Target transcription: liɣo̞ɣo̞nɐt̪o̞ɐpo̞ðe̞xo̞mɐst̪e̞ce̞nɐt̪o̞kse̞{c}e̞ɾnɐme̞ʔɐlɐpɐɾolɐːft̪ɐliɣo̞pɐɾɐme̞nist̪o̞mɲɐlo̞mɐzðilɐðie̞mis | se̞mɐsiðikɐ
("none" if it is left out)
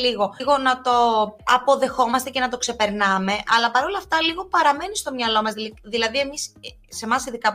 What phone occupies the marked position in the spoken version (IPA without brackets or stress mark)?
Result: p